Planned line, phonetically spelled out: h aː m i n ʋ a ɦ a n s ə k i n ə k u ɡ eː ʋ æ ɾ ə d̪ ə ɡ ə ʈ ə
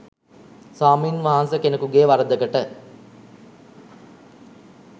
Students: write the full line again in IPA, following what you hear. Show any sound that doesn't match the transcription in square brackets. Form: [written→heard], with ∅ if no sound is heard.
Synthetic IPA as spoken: [h→s] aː m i n ʋ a ɦ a n s ə k [i→e] n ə k u ɡ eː ʋ [æ→a] ɾ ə d̪ ə ɡ ə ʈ ə